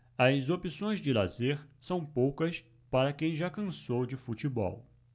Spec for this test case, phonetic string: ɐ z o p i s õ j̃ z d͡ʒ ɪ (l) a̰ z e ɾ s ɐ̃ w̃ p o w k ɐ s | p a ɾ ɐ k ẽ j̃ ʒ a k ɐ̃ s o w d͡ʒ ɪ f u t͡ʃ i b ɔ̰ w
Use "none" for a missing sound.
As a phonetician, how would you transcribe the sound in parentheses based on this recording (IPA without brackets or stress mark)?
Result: l